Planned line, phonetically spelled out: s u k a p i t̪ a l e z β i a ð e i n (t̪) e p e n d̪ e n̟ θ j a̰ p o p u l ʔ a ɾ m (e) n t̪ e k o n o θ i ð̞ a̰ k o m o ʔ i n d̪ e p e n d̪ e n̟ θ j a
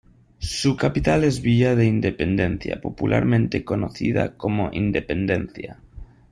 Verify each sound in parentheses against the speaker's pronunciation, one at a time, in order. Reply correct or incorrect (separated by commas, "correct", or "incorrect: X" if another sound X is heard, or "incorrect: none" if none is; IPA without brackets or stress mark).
incorrect: d̪, incorrect: ẽ